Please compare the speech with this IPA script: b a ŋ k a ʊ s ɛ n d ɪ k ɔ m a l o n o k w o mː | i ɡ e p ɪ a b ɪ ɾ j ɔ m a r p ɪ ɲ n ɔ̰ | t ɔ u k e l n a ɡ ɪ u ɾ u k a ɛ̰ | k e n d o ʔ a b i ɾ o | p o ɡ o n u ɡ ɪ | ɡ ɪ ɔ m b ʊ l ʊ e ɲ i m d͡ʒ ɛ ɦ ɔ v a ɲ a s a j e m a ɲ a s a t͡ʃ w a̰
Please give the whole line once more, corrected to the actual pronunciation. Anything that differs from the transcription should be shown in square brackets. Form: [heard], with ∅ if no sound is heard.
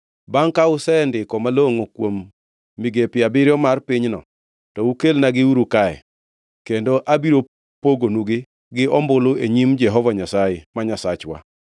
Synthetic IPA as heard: b a ŋ k a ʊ s ɛ n d ɪ k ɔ m a l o [ŋ] o k w o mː | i ɡ e p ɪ a b ɪ ɾ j ɔ m a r p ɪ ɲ n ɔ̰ | t ɔ u k e l n a ɡ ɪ u ɾ u k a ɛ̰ | k e n d o ʔ a b i ɾ o | p o ɡ o n u ɡ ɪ | ɡ ɪ ɔ m b ʊ l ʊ e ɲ i m d͡ʒ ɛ ɦ ɔ v a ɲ a s a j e m a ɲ a s a t͡ʃ w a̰